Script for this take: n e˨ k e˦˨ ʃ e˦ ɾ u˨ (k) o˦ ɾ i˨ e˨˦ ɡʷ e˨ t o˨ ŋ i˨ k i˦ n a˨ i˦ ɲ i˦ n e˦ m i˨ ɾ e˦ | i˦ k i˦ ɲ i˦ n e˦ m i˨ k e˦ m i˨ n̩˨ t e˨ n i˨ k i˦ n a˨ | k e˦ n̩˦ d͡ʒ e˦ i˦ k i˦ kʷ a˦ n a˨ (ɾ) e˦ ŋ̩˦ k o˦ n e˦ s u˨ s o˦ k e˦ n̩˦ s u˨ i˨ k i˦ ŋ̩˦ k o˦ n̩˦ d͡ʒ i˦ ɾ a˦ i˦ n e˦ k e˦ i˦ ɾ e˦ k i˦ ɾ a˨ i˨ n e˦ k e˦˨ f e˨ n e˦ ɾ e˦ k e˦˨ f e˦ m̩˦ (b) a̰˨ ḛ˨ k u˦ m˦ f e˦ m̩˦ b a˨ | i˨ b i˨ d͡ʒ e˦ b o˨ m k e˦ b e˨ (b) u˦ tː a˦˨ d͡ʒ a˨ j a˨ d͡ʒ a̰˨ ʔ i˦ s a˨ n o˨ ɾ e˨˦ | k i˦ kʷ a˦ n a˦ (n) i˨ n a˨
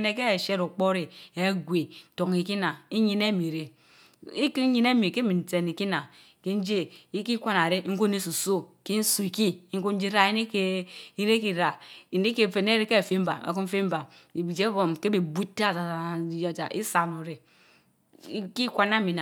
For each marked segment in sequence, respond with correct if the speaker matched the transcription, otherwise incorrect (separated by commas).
incorrect, correct, correct, correct, incorrect